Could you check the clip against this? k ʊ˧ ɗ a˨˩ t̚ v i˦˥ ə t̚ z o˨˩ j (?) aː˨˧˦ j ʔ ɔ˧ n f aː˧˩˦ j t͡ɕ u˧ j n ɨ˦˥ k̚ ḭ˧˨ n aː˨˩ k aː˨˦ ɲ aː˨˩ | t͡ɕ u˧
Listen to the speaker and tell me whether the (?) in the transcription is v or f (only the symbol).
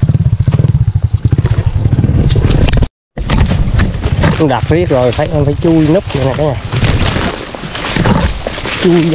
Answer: f